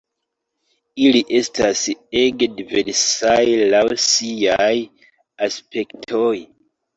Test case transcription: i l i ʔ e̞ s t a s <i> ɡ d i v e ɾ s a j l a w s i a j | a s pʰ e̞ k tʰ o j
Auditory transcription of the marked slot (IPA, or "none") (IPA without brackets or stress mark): e